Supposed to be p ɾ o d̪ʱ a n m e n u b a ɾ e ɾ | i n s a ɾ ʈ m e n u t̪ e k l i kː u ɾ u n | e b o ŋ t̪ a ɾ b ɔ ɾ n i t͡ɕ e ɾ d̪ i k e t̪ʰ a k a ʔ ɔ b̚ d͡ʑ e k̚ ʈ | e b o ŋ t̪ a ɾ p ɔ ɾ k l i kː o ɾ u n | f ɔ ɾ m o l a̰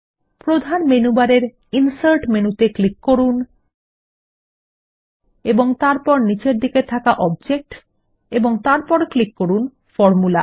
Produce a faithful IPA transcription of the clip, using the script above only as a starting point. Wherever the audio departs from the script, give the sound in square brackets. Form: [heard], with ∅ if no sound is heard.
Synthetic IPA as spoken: p ɾ o d̪ʱ a n m e n u b a ɾ e ɾ | i n s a ɾ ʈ m e n u t̪ e k l i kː [o] ɾ u n | e b o ŋ t̪ a ɾ [p] ɔ ɾ n i t͡ɕ e ɾ d̪ i k e t̪ʰ a k a ʔ ɔ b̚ d͡ʑ e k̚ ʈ | e b o ŋ t̪ a ɾ p ɔ ɾ k l i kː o ɾ u n | f ɔ ɾ m [u] l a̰